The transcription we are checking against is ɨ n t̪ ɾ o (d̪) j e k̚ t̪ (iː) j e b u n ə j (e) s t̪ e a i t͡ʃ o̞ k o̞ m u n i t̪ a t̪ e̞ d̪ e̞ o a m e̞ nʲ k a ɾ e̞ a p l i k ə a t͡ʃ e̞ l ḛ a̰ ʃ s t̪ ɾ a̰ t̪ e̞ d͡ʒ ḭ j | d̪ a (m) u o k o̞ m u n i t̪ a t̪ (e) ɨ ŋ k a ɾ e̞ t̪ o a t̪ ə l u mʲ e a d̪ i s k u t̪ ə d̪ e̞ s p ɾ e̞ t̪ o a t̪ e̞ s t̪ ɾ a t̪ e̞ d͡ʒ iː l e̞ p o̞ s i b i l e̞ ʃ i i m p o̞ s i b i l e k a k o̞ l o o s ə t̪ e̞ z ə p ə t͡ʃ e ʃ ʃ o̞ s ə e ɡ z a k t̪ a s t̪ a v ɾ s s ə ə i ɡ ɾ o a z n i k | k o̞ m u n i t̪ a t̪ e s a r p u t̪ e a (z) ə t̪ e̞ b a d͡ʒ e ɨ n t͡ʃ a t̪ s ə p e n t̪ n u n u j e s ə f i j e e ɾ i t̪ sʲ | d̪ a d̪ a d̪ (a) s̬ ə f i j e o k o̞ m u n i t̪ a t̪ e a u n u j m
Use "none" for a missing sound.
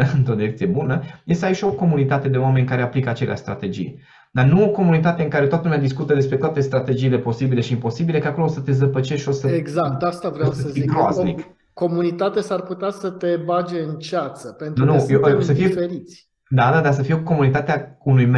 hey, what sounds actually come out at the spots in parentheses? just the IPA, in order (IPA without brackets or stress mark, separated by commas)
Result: d̪, i, e, n, e, s, a